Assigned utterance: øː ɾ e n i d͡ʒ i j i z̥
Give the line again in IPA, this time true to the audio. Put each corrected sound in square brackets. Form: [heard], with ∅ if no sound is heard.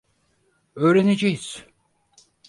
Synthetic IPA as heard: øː ɾ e n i d͡ʒ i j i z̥